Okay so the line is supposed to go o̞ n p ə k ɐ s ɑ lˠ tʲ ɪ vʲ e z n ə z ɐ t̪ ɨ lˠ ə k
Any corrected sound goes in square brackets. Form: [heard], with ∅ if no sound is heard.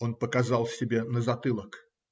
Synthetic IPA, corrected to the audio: o̞ n p ə k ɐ [z] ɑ lˠ [sʲ] ɪ [bʲ] e [∅] n ə z ɐ t̪ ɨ lˠ ə k